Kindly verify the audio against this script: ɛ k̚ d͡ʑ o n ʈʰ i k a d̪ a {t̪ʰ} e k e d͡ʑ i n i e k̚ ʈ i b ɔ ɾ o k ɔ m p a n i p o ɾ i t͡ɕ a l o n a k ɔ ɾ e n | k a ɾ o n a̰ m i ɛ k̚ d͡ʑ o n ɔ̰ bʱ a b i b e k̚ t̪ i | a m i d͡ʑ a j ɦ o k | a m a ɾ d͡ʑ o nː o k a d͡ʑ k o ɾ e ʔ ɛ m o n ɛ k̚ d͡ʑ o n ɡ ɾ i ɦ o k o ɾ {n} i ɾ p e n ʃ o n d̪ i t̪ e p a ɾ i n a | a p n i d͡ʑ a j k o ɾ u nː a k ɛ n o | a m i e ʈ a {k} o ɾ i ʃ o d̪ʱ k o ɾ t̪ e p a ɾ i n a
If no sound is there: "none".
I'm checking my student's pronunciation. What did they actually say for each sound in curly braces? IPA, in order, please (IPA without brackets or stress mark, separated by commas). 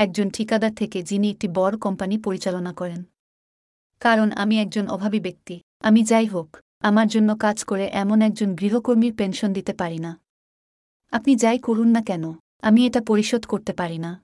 t̪ʰ, m, p